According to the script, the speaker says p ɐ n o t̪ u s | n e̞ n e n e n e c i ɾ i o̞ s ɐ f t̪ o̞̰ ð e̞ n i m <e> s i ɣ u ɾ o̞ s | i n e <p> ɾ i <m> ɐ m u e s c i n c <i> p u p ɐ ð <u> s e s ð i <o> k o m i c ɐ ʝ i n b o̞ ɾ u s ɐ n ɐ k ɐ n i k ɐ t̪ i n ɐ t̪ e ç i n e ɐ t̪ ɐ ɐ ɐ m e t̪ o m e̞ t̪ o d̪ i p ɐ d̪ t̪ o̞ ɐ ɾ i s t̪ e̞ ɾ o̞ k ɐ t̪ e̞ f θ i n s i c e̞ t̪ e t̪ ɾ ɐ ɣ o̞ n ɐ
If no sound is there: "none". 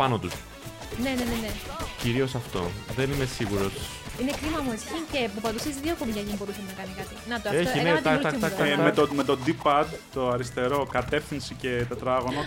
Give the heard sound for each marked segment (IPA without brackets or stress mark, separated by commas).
e, k, m, e, u, o